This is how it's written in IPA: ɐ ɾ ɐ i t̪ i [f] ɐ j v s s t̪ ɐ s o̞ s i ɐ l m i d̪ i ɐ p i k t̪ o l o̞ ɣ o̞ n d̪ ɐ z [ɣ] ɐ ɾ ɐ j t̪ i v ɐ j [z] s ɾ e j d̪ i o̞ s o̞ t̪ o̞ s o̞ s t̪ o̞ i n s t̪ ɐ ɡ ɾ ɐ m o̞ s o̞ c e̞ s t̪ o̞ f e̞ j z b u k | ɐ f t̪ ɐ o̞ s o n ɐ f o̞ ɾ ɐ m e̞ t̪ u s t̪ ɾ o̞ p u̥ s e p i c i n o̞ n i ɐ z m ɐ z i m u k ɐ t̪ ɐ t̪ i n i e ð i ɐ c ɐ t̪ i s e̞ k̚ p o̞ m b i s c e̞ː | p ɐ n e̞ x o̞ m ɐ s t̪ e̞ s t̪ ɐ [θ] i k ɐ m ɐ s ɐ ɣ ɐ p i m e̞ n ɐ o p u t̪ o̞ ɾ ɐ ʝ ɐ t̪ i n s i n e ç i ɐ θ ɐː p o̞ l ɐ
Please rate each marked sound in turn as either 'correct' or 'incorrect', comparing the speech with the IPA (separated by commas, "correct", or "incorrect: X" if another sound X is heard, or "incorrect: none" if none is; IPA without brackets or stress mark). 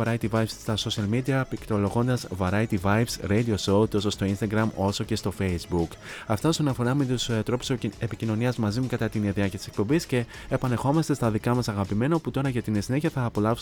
incorrect: v, incorrect: v, incorrect: v, incorrect: ð